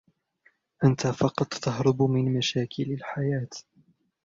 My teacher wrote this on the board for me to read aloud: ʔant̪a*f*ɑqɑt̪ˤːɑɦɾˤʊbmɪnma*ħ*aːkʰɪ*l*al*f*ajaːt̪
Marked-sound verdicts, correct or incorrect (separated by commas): correct, incorrect, correct, incorrect